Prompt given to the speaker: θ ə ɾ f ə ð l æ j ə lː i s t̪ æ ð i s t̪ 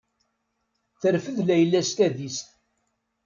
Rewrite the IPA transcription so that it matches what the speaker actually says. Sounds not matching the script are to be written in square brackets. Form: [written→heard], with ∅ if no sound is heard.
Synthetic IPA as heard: θ ə ɾ f ə ð l æ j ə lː [i→æ] s t̪ æ ð i s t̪